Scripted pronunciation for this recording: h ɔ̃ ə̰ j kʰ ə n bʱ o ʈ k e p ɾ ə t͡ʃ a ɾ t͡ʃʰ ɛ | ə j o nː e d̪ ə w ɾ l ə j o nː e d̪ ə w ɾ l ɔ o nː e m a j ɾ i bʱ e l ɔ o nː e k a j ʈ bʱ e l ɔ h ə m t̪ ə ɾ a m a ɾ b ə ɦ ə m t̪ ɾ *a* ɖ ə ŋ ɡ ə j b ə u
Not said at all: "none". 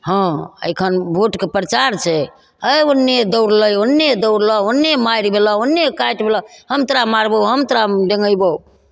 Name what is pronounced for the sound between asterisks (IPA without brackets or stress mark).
a